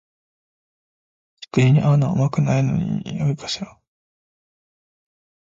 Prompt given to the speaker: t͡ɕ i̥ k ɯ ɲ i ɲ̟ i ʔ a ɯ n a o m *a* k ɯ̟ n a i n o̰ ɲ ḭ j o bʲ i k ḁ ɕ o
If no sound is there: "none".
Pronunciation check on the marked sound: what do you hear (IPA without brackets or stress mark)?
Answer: a